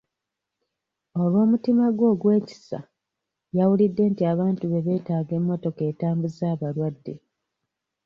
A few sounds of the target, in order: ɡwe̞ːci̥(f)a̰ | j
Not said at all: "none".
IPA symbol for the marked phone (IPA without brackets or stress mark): s